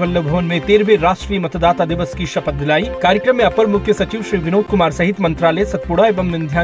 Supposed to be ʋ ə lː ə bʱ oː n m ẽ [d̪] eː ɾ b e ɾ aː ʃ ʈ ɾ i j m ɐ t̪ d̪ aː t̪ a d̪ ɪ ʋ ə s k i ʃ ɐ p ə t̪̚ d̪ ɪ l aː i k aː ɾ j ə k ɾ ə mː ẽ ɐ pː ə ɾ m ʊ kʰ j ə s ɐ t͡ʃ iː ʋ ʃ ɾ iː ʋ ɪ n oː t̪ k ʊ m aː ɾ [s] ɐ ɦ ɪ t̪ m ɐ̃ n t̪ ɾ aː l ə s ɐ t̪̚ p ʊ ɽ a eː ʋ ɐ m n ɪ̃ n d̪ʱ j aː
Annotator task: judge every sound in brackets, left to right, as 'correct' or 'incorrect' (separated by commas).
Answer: incorrect, correct